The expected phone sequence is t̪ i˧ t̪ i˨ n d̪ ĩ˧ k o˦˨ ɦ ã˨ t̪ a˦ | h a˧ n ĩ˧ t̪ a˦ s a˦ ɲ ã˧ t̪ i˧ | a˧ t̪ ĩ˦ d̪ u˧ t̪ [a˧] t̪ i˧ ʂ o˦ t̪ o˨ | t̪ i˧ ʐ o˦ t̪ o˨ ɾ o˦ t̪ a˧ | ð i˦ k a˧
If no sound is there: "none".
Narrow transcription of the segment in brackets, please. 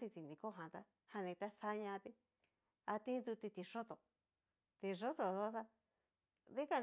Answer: i˧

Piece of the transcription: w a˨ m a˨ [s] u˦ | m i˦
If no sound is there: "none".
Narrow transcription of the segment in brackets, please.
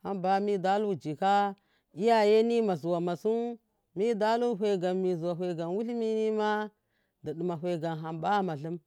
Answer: s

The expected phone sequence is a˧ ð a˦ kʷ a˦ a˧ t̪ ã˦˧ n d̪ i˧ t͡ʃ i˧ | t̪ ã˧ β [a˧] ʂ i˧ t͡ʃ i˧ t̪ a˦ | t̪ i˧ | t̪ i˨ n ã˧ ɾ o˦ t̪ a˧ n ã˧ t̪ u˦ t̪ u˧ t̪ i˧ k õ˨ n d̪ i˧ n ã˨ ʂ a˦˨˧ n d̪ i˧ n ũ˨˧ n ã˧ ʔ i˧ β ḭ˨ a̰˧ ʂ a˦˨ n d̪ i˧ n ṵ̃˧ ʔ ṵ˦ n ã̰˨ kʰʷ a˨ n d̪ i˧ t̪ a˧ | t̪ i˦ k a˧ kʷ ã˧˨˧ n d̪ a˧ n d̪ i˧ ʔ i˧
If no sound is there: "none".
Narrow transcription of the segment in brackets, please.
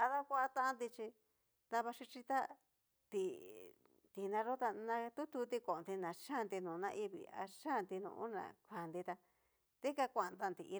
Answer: a˧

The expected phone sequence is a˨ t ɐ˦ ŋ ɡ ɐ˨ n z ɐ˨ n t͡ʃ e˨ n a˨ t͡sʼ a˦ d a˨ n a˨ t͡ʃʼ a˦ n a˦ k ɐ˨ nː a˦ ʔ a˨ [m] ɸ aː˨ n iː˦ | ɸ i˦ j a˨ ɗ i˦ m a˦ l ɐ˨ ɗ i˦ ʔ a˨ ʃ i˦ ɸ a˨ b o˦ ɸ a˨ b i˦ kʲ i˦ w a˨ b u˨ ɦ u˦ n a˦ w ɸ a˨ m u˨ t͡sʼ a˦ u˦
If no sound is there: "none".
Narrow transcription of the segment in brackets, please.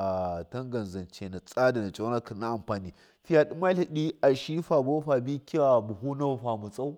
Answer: m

